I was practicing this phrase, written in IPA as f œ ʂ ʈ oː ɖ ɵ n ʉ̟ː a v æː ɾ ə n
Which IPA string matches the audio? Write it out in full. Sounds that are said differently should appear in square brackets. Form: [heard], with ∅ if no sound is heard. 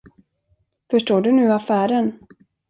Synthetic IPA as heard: f œ ʂ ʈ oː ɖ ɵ n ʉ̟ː a [f] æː ɾ ə n